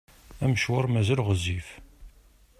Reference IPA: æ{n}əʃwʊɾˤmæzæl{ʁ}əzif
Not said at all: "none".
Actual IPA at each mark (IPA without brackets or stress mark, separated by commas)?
m, ʁ